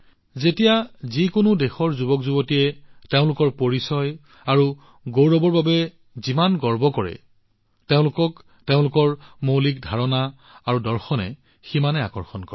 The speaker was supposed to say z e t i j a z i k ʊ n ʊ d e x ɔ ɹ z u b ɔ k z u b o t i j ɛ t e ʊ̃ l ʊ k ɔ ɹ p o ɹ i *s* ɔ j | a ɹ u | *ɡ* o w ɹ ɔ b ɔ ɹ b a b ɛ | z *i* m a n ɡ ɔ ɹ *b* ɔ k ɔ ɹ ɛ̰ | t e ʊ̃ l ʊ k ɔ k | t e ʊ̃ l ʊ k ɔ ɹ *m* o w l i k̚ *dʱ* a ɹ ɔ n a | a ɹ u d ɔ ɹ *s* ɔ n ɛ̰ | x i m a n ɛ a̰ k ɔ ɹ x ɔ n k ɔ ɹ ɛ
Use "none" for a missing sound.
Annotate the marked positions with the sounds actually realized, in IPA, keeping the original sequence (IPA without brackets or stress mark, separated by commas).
s, ɡ, i, b, m, dʱ, x